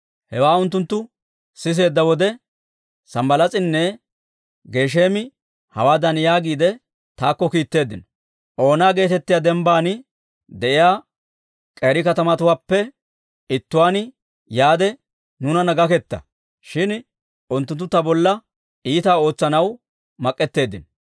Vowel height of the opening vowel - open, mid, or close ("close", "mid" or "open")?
mid